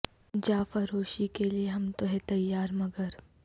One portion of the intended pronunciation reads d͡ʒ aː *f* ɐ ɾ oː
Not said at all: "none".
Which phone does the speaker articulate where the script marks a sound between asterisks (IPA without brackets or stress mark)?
f